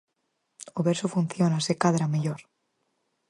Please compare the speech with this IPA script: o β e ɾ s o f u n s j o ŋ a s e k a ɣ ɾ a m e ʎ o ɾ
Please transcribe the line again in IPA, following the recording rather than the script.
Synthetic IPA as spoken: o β e ɾ s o f u n θ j o n a s e k a ð ɾ a m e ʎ o ɾ